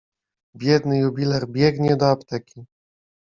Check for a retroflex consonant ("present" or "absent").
absent